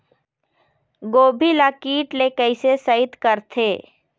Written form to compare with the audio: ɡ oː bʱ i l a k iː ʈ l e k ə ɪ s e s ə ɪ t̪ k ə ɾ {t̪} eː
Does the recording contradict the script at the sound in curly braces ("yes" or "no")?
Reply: yes